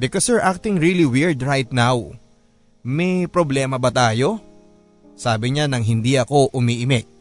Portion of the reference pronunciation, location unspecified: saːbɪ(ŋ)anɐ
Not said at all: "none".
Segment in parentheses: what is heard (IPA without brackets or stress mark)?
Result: ɲ